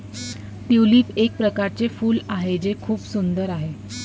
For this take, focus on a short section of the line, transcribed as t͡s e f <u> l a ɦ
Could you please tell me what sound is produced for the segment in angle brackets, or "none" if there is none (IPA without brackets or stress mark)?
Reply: uː